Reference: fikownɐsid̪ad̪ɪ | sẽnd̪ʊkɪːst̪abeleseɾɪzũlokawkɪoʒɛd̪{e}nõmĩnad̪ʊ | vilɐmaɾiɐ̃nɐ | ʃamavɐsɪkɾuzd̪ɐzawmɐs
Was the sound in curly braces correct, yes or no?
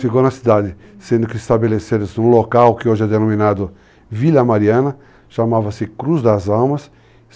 yes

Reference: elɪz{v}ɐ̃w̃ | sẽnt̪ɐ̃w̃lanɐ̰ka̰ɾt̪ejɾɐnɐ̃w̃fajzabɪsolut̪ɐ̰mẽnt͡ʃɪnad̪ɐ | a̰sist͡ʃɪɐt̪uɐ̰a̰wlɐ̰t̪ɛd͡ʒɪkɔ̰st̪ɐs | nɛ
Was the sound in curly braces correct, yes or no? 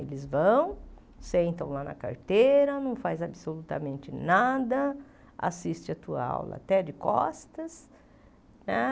yes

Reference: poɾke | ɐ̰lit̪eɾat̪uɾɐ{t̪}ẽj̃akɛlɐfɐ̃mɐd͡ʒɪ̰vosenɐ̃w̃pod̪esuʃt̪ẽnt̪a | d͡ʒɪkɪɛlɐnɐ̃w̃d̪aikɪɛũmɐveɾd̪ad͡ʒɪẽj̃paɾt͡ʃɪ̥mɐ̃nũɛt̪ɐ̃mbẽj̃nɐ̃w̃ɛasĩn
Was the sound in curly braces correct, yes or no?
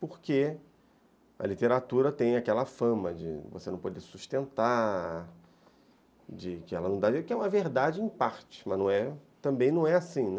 yes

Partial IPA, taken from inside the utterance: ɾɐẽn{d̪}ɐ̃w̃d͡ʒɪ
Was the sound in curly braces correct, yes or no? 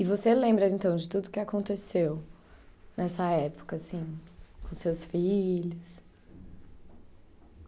no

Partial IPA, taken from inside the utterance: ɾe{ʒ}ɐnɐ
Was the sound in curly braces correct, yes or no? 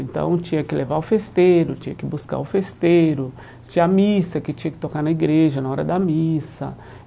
yes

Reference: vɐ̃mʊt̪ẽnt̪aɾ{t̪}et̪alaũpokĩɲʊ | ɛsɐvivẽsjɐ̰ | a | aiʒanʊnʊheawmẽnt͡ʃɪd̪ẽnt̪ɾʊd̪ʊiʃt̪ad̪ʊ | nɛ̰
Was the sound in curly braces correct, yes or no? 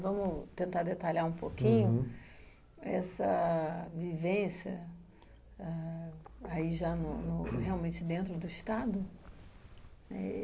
no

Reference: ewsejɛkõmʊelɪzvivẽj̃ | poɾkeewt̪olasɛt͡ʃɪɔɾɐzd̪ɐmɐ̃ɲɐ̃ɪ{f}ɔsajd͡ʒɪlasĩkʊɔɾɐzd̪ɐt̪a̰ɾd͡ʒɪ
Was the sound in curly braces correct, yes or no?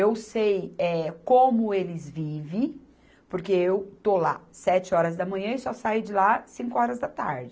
no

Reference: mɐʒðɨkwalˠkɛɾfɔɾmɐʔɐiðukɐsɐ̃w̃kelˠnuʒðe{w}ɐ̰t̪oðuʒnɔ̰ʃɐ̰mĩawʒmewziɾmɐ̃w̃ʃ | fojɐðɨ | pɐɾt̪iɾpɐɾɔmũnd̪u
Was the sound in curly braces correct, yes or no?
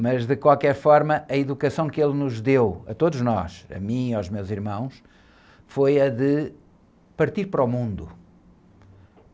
yes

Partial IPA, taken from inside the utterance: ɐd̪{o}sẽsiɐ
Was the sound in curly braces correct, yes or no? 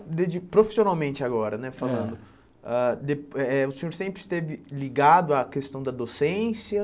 yes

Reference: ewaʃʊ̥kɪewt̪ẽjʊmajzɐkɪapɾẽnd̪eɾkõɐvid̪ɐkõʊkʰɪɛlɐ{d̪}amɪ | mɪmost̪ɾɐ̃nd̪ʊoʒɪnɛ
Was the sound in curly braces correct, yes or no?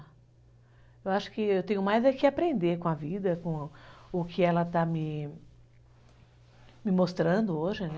no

